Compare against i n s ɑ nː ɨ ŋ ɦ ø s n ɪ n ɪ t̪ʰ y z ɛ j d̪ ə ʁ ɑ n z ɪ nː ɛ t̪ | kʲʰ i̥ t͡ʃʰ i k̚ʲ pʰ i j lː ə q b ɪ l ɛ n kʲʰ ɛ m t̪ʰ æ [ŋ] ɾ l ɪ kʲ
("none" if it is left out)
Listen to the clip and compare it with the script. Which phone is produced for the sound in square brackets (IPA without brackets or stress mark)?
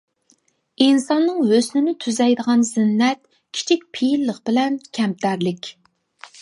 none